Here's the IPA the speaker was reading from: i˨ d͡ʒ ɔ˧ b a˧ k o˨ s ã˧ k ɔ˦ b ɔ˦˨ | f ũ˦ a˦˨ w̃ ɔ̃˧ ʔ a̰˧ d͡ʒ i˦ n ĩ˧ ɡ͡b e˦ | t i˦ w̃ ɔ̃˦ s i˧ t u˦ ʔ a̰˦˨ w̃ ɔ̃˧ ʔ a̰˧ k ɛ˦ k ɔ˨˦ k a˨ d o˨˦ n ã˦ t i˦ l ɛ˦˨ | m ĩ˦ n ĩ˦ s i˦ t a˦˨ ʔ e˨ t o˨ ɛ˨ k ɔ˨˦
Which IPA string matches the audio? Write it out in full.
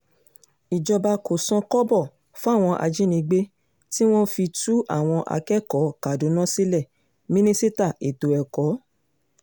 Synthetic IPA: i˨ d͡ʒ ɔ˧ b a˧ k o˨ s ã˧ k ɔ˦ b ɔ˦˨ | f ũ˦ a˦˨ w̃ ɔ̃˧ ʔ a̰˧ d͡ʒ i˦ n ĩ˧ ɡ͡b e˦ | t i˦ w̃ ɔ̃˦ f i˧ t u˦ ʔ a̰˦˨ w̃ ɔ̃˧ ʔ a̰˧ k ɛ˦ k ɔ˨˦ k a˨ d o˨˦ n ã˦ s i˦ l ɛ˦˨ | m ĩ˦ n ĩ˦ s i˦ t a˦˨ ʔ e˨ t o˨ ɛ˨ k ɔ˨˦